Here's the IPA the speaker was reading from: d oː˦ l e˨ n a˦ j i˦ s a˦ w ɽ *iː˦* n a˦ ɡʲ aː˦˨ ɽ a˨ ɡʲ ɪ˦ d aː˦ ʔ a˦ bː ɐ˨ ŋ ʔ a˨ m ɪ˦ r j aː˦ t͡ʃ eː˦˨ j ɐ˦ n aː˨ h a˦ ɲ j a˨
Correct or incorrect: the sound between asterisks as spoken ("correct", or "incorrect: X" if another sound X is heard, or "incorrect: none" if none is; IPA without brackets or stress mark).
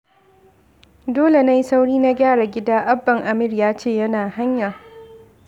correct